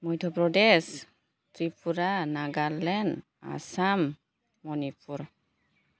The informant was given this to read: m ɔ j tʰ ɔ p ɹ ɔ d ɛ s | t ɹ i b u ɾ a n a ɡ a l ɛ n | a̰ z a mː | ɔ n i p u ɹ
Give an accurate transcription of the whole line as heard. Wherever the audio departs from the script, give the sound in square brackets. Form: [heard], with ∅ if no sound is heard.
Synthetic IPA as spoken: m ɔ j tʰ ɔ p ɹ ɔ d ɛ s | t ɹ i [p] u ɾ a n a ɡ a l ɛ n | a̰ [s] a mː | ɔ n i p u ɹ